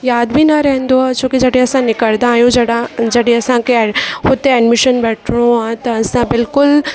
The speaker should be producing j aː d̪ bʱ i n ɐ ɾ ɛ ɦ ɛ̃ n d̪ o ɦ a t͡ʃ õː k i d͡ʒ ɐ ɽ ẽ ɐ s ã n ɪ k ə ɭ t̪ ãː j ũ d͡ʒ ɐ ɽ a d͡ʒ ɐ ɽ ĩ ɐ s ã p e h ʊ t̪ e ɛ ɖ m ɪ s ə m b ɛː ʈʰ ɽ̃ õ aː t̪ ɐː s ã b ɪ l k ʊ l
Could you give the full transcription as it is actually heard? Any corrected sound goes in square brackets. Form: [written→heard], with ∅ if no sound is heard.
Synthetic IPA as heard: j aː d̪ bʱ i n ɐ ɾ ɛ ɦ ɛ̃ n d̪ o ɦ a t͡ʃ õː k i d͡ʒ ɐ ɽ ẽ ɐ s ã n ɪ k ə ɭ [t̪→d̪] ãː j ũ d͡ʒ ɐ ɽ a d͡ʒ ɐ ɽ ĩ ɐ s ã [p→k] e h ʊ t̪ e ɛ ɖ m ɪ [s→ʃ] ə [m→n] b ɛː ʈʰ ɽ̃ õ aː t̪ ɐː s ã b ɪ l k ʊ l